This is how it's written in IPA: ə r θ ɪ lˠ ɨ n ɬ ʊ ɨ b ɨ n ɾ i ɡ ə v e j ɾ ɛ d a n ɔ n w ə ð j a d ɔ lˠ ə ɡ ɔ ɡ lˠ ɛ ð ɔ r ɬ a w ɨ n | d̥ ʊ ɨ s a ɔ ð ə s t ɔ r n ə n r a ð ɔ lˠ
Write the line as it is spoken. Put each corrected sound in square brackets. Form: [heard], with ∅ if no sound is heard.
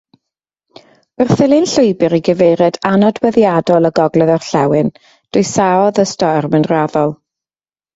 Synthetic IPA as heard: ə r θ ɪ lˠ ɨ n ɬ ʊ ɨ b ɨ [∅] ɾ i ɡ ə v e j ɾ ɛ d a n ɔ [d] w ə ð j a d ɔ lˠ ə ɡ ɔ ɡ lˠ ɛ ð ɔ r ɬ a w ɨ n | d̥ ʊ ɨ s a ɔ ð ə s t ɔ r [m] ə n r a ð ɔ lˠ